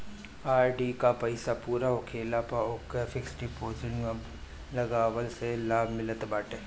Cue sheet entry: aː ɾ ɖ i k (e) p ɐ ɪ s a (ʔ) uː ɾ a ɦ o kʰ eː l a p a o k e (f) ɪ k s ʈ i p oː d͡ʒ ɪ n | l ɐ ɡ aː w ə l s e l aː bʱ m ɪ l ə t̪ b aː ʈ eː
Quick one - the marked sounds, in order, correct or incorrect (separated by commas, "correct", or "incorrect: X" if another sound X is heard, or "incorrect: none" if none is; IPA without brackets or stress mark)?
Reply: incorrect: a, incorrect: p, correct